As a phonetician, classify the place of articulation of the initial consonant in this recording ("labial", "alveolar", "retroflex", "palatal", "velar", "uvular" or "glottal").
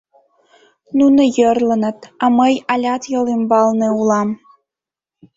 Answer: alveolar